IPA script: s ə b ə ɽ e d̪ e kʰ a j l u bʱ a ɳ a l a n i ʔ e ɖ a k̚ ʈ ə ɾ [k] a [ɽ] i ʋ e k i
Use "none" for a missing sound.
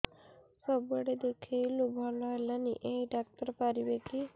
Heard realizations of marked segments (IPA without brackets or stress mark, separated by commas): p, ɾ